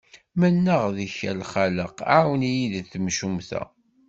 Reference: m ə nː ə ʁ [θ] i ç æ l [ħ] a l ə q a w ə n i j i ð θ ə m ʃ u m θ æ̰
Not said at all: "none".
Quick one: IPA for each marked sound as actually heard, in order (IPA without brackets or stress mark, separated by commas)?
ð, χ